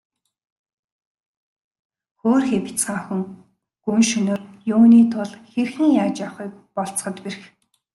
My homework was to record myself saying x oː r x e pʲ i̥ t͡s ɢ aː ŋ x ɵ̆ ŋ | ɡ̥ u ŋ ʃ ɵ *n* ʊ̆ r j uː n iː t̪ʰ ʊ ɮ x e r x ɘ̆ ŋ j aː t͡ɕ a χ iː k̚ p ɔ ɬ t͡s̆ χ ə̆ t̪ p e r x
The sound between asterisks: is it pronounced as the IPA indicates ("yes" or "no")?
yes